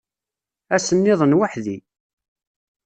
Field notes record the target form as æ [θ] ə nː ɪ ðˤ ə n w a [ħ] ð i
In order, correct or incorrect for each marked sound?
incorrect, correct

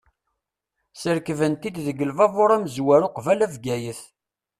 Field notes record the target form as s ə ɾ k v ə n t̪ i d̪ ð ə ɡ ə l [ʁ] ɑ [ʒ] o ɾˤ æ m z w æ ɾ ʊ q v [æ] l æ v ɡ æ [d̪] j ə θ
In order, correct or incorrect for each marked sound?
incorrect, incorrect, correct, incorrect

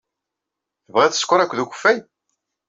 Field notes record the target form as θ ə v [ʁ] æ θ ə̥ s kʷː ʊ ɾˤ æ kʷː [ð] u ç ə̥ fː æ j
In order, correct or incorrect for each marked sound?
correct, correct

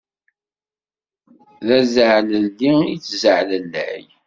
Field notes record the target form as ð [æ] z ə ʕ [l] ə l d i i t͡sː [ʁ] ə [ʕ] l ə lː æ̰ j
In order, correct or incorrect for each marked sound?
correct, correct, incorrect, correct

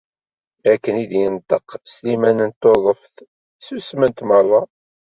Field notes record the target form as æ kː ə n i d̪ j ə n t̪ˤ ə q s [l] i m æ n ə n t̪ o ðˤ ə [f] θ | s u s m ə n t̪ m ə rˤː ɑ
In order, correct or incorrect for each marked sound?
correct, correct

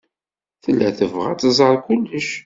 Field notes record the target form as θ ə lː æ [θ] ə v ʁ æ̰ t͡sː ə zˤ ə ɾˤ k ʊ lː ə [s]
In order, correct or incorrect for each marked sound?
correct, incorrect

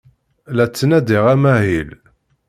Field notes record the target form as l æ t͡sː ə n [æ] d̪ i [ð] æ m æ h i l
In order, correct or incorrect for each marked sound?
correct, incorrect

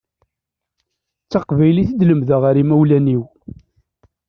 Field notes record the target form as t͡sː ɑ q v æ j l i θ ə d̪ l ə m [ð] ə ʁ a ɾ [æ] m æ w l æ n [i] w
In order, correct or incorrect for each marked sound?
correct, incorrect, correct

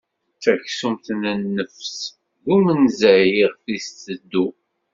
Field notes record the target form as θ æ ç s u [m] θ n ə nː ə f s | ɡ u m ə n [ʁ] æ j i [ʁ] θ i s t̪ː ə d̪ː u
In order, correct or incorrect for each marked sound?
correct, incorrect, correct

